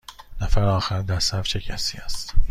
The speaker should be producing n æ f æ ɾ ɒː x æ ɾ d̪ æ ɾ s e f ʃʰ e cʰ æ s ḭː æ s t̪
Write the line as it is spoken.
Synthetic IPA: n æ f æ ɾ ɒː x æ ɾ d̪ æ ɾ s æ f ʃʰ e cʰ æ s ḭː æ s t̪